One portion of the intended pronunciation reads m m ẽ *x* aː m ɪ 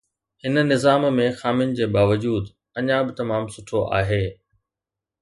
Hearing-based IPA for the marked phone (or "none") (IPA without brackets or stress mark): x